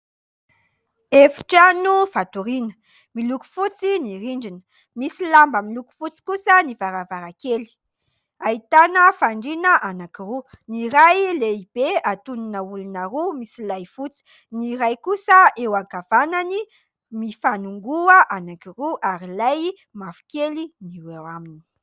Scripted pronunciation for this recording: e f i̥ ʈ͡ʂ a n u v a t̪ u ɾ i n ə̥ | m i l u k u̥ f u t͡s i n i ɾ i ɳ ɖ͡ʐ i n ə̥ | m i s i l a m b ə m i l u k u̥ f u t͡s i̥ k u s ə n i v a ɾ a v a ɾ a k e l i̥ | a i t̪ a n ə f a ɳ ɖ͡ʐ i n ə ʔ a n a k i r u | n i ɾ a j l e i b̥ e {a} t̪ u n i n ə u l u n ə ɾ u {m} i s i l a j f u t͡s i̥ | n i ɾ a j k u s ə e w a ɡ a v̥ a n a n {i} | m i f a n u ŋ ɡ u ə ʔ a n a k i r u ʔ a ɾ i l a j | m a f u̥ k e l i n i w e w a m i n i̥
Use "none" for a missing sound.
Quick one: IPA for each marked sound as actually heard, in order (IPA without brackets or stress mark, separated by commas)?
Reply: a, m, i